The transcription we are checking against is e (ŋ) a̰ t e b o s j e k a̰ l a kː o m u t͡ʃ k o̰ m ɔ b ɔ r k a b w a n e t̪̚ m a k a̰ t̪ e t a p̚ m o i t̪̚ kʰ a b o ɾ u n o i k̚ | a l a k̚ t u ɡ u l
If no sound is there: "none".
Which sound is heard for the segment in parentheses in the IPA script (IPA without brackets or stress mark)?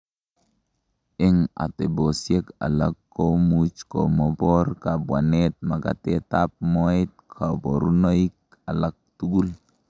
ŋ